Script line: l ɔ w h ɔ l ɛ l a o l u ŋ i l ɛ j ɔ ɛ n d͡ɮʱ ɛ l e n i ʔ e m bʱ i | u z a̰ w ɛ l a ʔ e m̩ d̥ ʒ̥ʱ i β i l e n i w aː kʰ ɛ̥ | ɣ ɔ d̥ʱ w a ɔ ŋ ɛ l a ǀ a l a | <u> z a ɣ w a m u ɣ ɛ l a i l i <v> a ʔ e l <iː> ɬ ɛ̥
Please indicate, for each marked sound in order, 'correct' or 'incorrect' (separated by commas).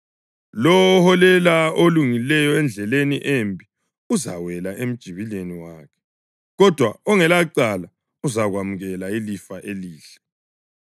correct, incorrect, correct